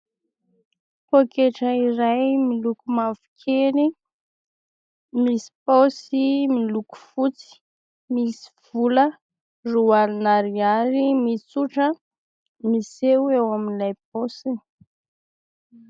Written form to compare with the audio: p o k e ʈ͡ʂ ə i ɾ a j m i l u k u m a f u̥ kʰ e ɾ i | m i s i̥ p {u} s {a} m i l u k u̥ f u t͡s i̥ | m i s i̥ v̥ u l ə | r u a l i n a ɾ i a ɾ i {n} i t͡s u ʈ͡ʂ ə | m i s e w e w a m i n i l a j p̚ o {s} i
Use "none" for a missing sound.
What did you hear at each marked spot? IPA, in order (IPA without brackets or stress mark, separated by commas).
o, i, m, s